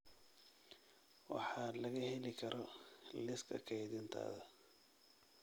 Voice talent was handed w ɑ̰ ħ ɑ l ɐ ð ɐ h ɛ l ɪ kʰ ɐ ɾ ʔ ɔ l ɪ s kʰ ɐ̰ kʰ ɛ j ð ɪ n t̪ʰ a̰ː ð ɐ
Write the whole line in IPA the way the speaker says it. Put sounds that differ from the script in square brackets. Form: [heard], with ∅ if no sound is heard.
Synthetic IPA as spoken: w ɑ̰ ħ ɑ l ɐ [ɣ] ɐ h ɛ l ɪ kʰ ɐ ɾ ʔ ɔ l ɪ s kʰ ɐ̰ kʰ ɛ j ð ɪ n t̪ʰ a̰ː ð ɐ